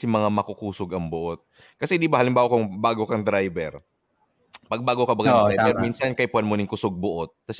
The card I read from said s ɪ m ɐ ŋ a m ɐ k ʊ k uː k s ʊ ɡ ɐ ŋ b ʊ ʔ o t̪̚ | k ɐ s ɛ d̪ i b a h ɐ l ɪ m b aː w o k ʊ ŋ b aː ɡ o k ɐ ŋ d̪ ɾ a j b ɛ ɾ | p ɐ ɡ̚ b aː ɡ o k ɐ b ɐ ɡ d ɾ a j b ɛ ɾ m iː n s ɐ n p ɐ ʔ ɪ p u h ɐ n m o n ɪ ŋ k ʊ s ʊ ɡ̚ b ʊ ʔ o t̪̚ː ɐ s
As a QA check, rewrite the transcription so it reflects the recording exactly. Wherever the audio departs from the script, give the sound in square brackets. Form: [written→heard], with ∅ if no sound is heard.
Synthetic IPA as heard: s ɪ m ɐ ŋ a m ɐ k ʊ k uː [k→∅] s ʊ ɡ ɐ ŋ b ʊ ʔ o t̪̚ | k ɐ s ɛ d̪ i b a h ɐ l ɪ m b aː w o k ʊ ŋ b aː ɡ o k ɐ ŋ d̪ ɾ a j b ɛ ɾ | p ɐ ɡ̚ b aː ɡ o k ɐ b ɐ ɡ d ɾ a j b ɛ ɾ m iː n s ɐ n [p→k] ɐ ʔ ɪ p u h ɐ n m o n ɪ ŋ k ʊ s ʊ ɡ̚ b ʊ ʔ o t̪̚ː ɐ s